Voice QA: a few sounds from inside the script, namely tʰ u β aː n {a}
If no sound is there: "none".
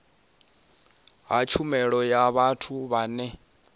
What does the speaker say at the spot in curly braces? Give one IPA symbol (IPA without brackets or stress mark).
ɛ